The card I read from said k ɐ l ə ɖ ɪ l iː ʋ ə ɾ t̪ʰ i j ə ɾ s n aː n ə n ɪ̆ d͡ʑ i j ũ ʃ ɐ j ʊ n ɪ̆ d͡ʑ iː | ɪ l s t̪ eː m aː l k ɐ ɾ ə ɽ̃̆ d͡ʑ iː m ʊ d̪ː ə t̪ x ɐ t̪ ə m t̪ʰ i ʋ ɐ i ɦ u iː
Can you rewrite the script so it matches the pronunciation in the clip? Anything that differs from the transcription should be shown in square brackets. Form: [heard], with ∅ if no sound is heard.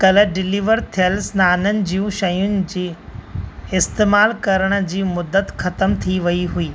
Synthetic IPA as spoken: k ɐ l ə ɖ ɪ l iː ʋ ə ɾ t̪ʰ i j ə [l] s n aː n ə n ɪ̆ d͡ʑ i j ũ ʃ ɐ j ʊ n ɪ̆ d͡ʑ iː | ɪ [∅] s t̪ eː m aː l k ɐ ɾ ə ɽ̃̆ d͡ʑ iː m ʊ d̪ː ə t̪ x ɐ t̪ ə m t̪ʰ i ʋ ɐ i ɦ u iː